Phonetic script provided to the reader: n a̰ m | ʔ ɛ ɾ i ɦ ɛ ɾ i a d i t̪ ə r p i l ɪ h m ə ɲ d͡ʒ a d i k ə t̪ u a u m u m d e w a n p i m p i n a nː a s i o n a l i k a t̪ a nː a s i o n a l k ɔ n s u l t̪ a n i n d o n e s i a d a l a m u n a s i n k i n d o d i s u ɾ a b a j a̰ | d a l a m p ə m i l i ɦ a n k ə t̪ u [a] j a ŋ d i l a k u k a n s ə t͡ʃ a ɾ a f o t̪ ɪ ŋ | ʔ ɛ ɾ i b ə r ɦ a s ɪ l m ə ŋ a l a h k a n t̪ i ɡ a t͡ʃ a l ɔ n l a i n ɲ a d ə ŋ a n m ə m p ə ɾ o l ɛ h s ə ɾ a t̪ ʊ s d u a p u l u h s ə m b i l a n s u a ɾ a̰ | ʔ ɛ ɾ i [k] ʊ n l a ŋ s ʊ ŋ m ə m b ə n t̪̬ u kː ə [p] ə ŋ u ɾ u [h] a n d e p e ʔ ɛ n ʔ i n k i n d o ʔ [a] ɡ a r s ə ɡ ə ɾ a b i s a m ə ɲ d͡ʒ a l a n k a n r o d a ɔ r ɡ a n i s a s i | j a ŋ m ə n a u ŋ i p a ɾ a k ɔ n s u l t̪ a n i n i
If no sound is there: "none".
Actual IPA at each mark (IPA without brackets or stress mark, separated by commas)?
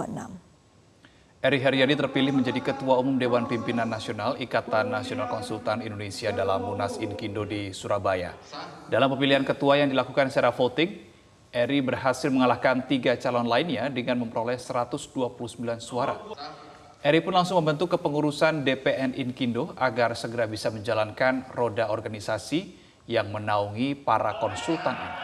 a, p, p, s, a